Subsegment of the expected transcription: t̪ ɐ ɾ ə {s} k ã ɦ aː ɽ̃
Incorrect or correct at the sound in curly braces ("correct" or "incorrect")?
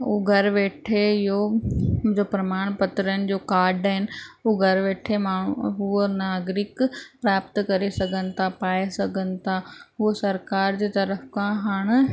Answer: incorrect